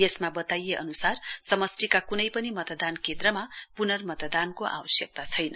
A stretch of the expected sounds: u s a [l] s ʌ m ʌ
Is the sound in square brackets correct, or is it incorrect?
incorrect